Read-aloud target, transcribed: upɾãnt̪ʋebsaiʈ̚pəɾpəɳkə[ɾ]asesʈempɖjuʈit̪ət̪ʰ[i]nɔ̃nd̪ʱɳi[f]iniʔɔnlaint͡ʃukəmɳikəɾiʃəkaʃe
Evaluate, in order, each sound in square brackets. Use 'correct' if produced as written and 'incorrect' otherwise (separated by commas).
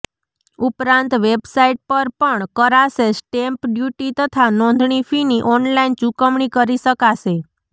correct, incorrect, correct